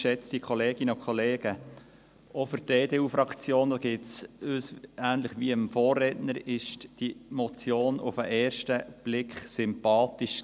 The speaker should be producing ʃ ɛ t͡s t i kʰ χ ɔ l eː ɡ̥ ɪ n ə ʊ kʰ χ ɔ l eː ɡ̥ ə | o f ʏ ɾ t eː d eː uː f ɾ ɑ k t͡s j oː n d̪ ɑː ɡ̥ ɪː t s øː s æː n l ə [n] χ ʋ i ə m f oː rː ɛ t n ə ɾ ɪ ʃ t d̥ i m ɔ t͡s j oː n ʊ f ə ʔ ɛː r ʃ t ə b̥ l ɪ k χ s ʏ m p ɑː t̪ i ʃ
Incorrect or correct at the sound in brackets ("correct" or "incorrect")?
incorrect